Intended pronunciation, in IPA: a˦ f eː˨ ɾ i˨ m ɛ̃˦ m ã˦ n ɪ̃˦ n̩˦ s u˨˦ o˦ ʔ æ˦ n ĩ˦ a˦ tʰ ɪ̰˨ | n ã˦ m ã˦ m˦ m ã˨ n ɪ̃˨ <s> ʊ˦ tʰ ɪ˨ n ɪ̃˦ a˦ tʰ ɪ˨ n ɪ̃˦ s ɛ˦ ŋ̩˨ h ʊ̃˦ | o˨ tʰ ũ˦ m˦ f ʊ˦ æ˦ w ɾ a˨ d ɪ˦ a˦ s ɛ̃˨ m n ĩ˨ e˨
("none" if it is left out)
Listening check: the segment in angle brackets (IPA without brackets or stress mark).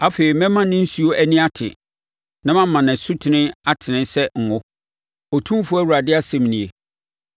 s